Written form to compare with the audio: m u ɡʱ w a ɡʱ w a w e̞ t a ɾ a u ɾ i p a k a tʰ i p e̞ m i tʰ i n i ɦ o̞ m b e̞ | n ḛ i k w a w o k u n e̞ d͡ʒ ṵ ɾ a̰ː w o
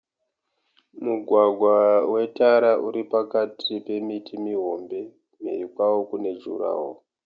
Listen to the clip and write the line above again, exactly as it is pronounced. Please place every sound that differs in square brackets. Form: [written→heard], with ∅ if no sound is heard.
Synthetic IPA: m u ɡʱ w a ɡʱ w a w e̞ t a ɾ a u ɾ i p a k a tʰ i p e̞ m i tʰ i [n→m] i ɦ o̞ m b e̞ | [n→m] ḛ i k w a w o k u n e̞ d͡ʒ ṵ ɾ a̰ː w o